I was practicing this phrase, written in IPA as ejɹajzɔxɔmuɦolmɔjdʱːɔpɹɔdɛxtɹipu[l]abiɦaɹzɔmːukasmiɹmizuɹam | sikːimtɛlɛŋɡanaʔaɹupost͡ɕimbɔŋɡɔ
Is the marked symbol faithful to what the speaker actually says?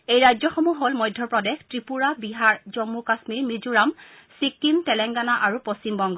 no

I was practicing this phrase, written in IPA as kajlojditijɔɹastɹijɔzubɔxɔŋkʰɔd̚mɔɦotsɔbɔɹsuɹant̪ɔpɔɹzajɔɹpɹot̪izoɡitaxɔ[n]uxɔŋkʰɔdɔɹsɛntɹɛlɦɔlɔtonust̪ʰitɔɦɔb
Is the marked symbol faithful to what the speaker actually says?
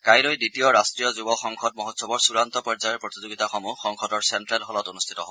no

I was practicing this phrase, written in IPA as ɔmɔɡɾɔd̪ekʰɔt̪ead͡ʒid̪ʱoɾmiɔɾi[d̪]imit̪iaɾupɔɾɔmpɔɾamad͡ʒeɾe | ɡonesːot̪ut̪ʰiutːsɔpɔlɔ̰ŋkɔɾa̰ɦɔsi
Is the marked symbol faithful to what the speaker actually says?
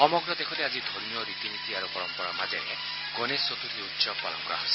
no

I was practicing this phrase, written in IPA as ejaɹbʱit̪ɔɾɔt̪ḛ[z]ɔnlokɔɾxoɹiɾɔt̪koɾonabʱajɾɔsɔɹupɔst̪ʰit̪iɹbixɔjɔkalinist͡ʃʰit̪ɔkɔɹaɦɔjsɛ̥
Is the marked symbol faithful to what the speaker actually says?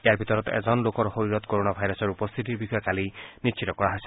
yes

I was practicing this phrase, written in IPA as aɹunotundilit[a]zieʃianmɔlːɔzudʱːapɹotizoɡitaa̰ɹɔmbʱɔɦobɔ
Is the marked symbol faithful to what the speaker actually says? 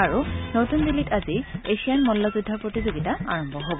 yes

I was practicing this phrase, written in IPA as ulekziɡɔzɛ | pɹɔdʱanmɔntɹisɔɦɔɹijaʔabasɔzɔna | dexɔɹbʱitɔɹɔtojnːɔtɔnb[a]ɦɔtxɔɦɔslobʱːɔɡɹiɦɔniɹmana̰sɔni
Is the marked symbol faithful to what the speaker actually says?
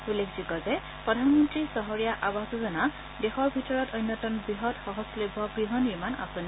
no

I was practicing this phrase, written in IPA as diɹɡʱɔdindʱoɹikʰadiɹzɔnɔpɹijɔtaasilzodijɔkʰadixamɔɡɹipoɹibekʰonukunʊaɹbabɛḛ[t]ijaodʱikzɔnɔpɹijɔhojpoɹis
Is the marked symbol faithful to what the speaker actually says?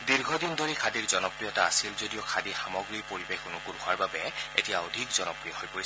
yes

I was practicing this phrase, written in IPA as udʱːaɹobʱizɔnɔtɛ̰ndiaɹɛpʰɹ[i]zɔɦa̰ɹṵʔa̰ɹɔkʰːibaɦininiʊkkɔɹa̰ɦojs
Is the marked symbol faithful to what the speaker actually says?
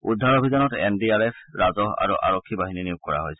no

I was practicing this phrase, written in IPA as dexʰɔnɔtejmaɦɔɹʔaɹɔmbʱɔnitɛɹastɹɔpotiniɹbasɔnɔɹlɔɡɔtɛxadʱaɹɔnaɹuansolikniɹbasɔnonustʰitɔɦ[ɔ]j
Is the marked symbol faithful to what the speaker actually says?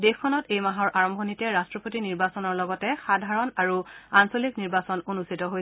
no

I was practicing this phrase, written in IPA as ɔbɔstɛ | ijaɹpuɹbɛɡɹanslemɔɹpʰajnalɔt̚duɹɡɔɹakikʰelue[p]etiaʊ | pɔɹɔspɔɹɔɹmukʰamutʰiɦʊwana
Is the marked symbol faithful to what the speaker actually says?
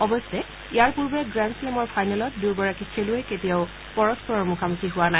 no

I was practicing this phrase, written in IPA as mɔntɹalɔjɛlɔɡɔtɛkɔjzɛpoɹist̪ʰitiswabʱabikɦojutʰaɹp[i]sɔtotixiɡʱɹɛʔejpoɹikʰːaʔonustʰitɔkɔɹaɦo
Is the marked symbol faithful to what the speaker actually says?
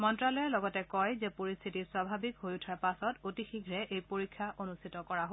no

